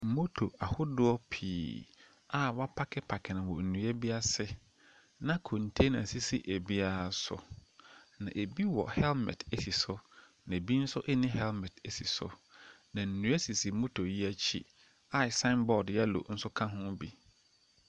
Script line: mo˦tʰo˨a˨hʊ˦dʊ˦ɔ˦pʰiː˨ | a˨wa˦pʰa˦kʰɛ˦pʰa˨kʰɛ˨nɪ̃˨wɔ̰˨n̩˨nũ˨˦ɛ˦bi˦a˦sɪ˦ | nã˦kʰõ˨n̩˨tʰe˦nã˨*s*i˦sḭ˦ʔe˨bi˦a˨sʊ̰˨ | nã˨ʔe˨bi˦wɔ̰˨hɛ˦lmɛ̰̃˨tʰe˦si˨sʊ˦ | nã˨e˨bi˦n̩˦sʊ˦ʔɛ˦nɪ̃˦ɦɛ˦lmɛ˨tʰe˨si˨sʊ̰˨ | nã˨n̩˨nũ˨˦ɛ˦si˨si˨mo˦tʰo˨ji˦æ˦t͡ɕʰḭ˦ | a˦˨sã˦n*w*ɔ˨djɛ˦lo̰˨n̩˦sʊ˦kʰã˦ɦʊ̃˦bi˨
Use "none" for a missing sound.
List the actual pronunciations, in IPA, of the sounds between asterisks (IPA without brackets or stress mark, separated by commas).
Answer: s, b